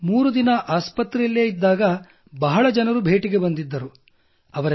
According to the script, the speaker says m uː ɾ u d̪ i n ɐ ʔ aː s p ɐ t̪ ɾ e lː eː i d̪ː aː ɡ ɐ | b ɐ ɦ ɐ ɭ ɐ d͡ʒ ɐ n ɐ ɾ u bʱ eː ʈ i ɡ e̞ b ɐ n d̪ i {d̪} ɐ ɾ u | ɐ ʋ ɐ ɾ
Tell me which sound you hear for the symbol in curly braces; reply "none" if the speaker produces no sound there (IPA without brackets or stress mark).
d̪ː